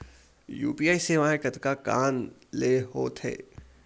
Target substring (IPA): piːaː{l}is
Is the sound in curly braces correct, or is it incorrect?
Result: incorrect